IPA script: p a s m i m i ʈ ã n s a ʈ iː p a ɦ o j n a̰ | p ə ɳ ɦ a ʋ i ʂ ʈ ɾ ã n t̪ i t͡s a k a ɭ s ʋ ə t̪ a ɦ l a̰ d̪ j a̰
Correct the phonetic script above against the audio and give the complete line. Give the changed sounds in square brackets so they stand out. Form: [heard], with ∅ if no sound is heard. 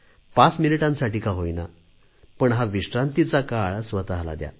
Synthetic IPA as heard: p a [t͡s] m i [n] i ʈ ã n s a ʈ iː [k] a ɦ o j n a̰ | p ə ɳ ɦ a ʋ i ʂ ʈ ɾ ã n t̪ i t͡s a k a ɭ s ʋ ə t̪ a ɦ l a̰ d̪ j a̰